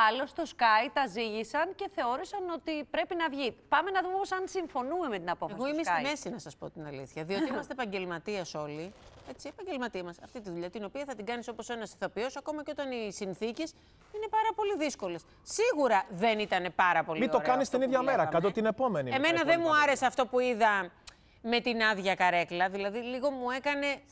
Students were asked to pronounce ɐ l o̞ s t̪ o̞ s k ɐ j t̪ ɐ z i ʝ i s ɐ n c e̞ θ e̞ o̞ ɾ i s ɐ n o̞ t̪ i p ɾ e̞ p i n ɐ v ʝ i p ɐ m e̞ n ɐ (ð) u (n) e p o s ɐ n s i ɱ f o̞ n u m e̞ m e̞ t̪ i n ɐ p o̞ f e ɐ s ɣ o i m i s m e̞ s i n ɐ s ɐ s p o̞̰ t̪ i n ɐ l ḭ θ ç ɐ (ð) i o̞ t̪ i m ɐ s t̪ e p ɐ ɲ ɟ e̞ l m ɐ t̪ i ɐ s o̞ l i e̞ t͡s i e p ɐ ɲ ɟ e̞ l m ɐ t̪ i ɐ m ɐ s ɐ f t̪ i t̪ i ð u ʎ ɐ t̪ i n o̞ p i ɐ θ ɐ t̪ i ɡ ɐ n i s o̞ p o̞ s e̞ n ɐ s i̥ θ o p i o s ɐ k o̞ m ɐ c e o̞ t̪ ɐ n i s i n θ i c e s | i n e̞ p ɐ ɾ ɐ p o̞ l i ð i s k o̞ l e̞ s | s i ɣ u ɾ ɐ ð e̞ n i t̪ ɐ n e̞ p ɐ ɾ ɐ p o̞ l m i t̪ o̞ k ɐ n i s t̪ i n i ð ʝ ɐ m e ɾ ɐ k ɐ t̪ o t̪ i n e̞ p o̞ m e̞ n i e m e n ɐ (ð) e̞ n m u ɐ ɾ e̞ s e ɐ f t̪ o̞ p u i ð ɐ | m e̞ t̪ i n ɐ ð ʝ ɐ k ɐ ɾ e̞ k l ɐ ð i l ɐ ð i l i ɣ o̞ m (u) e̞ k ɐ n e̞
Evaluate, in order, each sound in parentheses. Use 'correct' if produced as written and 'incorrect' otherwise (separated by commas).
correct, incorrect, correct, correct, correct